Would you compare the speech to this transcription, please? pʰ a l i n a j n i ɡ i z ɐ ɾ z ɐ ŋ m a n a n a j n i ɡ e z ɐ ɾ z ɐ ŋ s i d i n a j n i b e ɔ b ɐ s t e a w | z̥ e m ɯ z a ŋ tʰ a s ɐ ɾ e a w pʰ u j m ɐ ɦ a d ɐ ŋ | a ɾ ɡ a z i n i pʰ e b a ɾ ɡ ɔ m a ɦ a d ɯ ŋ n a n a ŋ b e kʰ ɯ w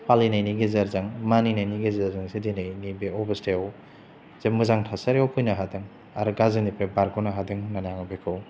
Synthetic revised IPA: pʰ a l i n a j n i ɡ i z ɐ ɾ z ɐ ŋ m a n i n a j n i ɡ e z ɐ ɾ z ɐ ŋ s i d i n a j n i b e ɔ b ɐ s t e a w | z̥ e m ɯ z a ŋ tʰ a s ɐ ɾ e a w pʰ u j n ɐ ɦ a d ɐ ŋ | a ɾ ɡ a z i n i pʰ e b a ɾ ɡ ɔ n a ɦ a d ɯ ŋ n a n a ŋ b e kʰ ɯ w

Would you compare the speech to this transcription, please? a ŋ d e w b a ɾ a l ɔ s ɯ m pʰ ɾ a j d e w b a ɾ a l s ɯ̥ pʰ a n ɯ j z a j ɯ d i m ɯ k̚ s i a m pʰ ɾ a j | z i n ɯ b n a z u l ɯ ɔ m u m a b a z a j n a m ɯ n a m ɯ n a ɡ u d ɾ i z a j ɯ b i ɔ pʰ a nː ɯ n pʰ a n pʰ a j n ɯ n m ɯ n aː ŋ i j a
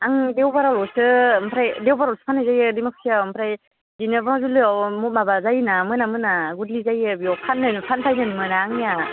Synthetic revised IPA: a ŋ d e w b a ɾ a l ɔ s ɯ m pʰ ɾ a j d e w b a ɾ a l s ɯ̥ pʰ a n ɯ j z a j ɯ d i m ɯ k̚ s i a m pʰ ɾ a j | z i n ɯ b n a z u l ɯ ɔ m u m a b a z a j n a m ɯ n a m ɯ n a ɡ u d l i z a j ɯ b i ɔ pʰ a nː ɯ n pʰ a n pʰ a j n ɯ n m ɯ n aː ŋ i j a

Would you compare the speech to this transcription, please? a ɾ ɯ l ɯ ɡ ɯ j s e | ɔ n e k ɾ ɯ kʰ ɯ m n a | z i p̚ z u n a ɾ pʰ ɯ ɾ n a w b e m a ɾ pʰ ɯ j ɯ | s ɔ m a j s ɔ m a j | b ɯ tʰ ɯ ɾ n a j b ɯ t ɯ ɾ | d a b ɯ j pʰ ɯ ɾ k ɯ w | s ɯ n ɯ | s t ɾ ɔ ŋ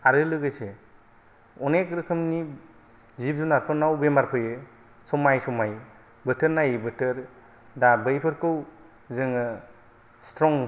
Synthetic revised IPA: a ɾ ɯ l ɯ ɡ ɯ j s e | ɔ n e k ɾ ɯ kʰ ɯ m n i | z i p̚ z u n a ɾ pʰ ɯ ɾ n a w b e m a ɾ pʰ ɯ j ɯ | s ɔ m a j s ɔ m a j | b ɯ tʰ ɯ ɾ n a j b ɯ t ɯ ɾ | d a b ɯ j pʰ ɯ ɾ k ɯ w | z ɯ ŋ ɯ | s t ɾ ɔ ŋ

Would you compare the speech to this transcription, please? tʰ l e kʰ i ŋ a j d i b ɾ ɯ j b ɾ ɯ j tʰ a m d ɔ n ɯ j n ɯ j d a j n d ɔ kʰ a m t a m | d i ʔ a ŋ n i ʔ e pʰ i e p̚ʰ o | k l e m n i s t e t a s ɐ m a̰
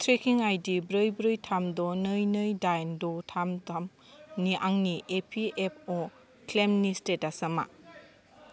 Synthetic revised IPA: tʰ ɾ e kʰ i ŋ a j d i b ɾ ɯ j b ɾ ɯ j tʰ a m d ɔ n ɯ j n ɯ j d a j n d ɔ tʰ a m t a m | n i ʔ a ŋ n i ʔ e pʰ i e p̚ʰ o | k l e m n i s t e t a s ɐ m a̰

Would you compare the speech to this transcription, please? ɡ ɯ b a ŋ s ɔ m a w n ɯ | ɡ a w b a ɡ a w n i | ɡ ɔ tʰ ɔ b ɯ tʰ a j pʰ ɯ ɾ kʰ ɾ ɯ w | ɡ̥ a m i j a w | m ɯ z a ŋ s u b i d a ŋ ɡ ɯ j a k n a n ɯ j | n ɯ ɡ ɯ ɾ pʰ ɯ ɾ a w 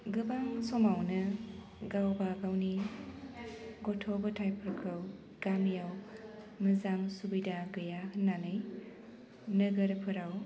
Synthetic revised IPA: ɡ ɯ b a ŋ s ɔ m a w n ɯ | ɡ a w b a ɡ a w n i | ɡ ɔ tʰ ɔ b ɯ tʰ a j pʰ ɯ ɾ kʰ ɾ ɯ w | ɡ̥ a m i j a w | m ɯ z a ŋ s u b i d a ɡ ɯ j a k n a n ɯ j | n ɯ ɡ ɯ ɾ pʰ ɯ ɾ a w

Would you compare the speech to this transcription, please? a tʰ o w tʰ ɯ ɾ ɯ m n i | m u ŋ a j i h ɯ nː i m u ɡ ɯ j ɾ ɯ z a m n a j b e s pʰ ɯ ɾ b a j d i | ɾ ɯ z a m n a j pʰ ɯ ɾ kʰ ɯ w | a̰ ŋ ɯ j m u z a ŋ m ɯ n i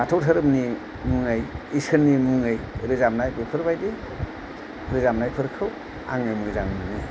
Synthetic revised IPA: a tʰ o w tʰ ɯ ɾ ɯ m n i | m u ŋ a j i s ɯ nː i m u ŋ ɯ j ɾ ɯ z a m n a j b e pʰ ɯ ɾ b a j d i | ɾ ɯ z a m n a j pʰ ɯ ɾ kʰ ɯ w | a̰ ŋ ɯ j m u z a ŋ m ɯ n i

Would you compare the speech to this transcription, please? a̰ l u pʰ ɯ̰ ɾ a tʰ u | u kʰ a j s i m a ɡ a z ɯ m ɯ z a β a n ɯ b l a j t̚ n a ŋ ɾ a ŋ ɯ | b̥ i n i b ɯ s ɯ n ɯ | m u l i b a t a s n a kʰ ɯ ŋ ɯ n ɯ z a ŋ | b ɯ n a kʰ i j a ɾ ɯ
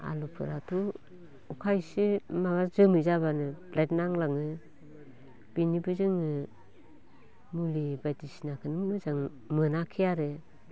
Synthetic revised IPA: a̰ l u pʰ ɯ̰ ɾ a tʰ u | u kʰ a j s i m a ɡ a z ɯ m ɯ z a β a n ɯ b l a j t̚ n a ŋ l a ŋ ɯ | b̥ i n i b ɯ z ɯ ŋ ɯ | m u l i b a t i s n a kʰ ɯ n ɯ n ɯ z a ŋ | m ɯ n a kʰ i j a ɾ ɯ

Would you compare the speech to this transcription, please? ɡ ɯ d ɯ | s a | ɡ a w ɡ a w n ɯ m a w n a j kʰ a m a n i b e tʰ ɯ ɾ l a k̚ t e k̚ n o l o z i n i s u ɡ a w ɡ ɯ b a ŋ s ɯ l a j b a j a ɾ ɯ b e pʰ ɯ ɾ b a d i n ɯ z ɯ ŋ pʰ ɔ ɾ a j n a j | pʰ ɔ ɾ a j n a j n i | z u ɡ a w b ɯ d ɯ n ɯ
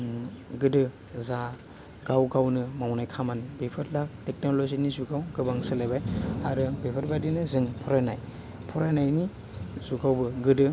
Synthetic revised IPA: ɡ ɯ d ɯ | z a | ɡ a w ɡ a w n ɯ m a w n a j kʰ a m a n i b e pʰ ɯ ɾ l a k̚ t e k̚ n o l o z i n i z u ɡ a w ɡ ɯ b a ŋ s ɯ l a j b a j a ɾ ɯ b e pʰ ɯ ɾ b a d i n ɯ z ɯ ŋ pʰ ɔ ɾ a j n a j | pʰ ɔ ɾ a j n a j n i | z u ɡ a w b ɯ ɡ ɯ d ɯ

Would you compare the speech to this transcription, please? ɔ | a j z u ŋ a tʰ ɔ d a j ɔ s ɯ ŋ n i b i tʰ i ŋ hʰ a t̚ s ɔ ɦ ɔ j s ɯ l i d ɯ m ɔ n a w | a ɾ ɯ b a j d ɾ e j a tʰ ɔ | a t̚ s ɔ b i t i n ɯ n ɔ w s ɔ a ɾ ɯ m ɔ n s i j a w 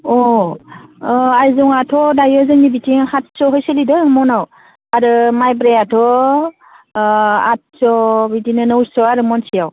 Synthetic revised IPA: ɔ | a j z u ŋ a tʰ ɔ d a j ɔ z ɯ ŋ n i b i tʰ i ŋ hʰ a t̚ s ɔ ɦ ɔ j s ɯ l i d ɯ m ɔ n a w | a ɾ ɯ m a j b ɾ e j a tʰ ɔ | a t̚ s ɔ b i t i n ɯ n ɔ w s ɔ a ɾ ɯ m ɔ n s i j a w

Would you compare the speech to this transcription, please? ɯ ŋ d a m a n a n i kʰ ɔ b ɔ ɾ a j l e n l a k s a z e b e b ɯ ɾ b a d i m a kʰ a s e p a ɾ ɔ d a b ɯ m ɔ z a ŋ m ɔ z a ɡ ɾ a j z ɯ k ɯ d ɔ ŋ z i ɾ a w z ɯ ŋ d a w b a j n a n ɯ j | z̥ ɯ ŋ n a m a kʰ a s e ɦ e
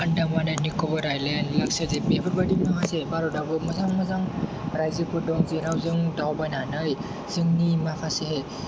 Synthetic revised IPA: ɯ n d a m a n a n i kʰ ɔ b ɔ ɾ a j l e n l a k s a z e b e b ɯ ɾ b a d i m a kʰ a s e b a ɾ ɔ d a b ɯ m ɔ z a ŋ m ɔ z a ŋ ɾ a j z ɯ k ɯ d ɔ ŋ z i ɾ a w z ɯ ŋ d a w b a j n a n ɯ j | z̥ ɯ ŋ n i m a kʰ a s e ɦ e

